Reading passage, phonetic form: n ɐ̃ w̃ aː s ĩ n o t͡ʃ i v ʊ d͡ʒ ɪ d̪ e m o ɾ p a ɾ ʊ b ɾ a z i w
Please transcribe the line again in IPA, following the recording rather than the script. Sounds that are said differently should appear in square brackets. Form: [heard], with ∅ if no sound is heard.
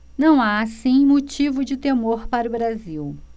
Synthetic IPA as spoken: n ɐ̃ w̃ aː s ĩ [m] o t͡ʃ i v ʊ d͡ʒ ɪ [t̪] e m o ɾ p a ɾ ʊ b ɾ a z i w